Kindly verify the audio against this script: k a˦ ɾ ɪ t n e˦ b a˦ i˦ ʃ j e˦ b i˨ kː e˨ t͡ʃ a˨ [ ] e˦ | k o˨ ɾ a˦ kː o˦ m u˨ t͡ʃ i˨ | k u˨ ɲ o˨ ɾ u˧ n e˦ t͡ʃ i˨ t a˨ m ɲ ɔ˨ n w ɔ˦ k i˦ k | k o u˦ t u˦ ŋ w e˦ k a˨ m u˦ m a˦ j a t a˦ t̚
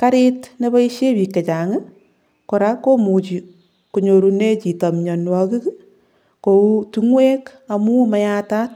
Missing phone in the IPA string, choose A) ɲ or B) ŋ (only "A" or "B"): B